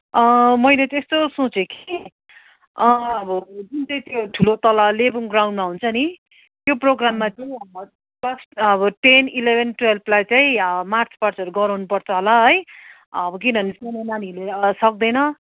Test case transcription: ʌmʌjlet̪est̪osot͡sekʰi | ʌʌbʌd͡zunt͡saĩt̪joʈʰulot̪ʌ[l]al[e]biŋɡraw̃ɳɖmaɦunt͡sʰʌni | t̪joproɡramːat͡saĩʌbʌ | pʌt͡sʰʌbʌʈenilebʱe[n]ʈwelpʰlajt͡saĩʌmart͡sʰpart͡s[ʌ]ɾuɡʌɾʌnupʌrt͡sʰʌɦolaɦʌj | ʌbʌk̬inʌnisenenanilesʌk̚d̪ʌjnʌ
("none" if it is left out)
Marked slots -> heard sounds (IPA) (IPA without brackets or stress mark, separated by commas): l, e, n, ʌ